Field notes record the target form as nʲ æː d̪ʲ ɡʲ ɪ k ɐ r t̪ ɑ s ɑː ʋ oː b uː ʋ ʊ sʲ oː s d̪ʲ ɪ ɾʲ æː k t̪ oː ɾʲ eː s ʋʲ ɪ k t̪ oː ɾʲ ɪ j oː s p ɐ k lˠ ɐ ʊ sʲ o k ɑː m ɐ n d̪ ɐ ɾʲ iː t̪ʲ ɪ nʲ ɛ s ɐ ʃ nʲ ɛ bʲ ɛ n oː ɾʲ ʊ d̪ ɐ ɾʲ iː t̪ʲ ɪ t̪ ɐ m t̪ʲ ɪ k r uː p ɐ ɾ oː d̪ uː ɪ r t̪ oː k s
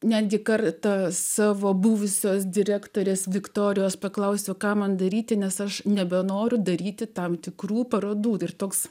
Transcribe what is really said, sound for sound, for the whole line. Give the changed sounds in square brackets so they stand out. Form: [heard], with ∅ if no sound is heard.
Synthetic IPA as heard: nʲ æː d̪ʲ ɡʲ ɪ k ɐ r t̪ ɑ s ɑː ʋ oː b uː ʋ ʊ sʲ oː s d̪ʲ ɪ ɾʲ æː k t̪ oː ɾʲ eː s ʋʲ ɪ k t̪ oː ɾʲ ɪ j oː s p ɐ k lˠ ɐ ʊ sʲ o k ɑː m ɐ n d̪ ɐ ɾʲ iː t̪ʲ ɪ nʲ ɛ s ɐ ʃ nʲ ɛ bʲ ɛ n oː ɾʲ ʊ d̪ ɐ ɾʲ iː t̪ʲ ɪ t̪ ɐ m t̪ʲ ɪ k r uː p ɐ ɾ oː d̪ uː ɪ r t̪ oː k s